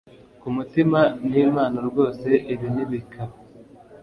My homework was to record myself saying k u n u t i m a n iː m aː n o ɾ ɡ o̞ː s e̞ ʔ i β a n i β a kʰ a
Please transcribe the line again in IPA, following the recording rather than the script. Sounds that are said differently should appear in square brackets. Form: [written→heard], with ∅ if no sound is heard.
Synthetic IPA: k u [n→m] u t i m a n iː m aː n o ɾ ɡ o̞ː s e̞ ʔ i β [a→i] n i β [a→i] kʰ a

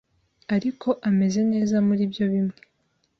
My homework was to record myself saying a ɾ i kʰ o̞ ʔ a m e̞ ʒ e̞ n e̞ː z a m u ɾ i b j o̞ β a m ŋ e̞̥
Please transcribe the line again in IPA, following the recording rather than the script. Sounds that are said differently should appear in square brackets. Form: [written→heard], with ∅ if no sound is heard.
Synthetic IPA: a ɾ i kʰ o̞ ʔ a m e̞ [ʒ→z] e̞ n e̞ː z a m u ɾ i b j o̞ β [a→i] m ŋ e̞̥

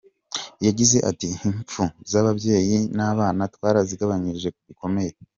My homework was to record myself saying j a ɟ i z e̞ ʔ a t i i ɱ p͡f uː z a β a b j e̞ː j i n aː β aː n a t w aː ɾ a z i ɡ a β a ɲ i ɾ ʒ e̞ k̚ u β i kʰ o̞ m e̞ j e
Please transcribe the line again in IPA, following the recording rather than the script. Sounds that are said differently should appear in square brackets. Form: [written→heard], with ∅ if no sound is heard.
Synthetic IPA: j a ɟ i z e̞ ʔ a t i i ɱ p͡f [uː→u] z a β a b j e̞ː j i n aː β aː n a t w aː ɾ a z i ɡ a β a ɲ i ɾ ʒ e̞ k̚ u β i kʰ o̞ m e̞ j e

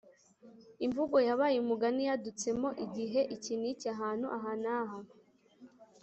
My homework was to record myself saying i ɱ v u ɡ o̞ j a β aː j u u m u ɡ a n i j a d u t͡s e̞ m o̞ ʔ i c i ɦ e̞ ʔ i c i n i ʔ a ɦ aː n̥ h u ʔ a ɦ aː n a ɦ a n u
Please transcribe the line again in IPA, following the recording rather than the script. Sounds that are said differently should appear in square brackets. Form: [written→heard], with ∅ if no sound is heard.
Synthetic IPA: i ɱ v u ɡ o̞ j a β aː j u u m u ɡ a n i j a d u t͡s e̞ m o̞ ʔ i [c→ɟ] i ɦ e̞ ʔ i c i n i [ʔ→c] a ɦ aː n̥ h u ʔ a ɦ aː n a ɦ a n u

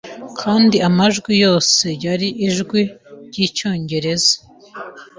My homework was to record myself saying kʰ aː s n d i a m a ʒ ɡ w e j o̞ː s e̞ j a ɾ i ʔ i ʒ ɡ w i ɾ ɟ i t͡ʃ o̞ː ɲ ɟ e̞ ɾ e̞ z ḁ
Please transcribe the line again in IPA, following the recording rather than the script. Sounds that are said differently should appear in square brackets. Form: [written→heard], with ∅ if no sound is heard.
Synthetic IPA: kʰ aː [s→∅] n d i a m a ʒ ɡ w [e→i] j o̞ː s e̞ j a ɾ i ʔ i ʒ ɡ w i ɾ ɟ i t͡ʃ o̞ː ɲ ɟ e̞ ɾ e̞ z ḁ

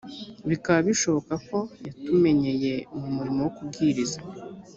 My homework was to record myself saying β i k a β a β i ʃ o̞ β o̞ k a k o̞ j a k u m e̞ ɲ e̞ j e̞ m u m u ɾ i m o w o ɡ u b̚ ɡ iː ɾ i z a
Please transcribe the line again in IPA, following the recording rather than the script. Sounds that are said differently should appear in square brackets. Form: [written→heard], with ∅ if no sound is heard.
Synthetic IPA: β i k a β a β i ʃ o̞ β o̞ k a k o̞ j a [k→t] u m e̞ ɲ e̞ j e̞ m u m u ɾ i m o w o [ɡ→k] u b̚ ɡ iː ɾ i z a

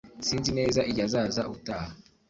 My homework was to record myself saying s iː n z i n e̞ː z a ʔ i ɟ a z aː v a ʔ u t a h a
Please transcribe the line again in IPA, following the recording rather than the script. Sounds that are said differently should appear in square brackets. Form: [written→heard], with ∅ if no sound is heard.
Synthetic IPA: s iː n z i n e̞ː z a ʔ i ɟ a z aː [v→z] a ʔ u t a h a

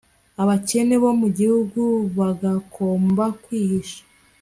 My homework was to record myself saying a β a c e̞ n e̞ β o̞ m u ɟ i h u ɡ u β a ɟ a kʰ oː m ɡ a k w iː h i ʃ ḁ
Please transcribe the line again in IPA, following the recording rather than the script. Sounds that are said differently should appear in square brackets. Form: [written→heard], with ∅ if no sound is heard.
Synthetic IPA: a β a c e̞ n e̞ β o̞ m u ɟ i h u ɡ u β a [ɟ→ɡ] a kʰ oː m [ɡ→b] a k w iː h i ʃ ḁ

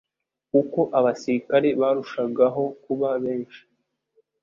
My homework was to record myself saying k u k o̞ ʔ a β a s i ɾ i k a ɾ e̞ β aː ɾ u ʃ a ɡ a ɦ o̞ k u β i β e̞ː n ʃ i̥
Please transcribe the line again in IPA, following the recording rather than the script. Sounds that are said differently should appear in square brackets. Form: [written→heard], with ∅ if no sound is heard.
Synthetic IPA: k u k o̞ ʔ a β a s i ɾ i k a ɾ e̞ β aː ɾ u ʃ a ɡ a ɦ o̞ k u β [i→a] β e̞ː n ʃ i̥

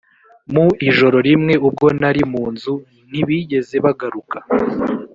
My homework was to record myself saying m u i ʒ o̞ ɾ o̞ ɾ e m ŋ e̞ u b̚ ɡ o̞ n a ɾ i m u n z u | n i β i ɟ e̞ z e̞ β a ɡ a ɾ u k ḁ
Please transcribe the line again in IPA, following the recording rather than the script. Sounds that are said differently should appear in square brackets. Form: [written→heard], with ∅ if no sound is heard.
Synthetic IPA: m u i ʒ o̞ ɾ o̞ ɾ [e→i] m ŋ e̞ u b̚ ɡ o̞ n a ɾ i m [u→uː] n z u | n i β i ɟ e̞ z e̞ β a ɡ a ɾ u k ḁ

